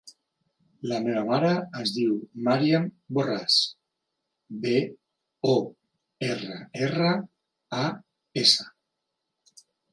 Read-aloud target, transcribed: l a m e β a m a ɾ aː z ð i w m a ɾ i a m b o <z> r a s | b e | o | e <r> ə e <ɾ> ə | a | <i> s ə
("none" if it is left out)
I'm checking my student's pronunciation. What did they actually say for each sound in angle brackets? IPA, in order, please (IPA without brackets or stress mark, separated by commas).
none, r, r, e